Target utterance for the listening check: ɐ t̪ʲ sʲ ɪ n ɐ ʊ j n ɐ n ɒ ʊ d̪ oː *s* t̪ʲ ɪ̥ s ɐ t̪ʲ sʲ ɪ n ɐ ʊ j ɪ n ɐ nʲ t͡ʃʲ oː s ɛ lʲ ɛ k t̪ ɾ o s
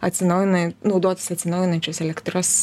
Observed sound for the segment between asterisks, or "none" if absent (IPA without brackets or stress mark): none